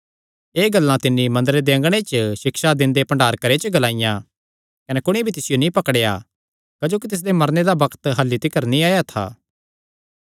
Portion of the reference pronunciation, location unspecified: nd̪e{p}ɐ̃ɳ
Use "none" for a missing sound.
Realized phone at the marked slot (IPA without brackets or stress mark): p